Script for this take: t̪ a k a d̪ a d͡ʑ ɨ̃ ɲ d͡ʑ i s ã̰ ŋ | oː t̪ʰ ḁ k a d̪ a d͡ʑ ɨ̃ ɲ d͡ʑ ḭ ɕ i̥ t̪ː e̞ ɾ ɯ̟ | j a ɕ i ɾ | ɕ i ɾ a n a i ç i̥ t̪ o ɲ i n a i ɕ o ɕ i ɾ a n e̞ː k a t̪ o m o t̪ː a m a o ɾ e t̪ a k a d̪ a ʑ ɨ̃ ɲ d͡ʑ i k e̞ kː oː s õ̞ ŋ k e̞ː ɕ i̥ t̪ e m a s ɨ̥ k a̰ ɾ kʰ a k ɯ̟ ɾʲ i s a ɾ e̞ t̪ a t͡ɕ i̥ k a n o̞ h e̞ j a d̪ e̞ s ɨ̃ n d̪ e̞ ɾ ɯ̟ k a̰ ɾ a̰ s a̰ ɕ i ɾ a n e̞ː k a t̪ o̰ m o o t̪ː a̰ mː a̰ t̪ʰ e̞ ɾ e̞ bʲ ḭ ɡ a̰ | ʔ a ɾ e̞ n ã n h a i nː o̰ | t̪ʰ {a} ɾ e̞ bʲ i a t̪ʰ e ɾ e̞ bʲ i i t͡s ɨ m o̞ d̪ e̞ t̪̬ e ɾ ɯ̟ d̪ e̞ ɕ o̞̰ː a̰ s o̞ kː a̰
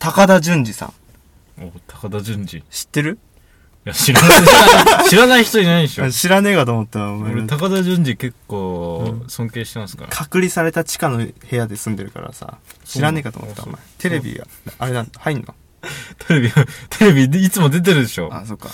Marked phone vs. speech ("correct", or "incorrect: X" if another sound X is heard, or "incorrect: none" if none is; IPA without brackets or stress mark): incorrect: e